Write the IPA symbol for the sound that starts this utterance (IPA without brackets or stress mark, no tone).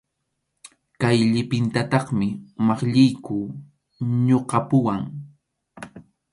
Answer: k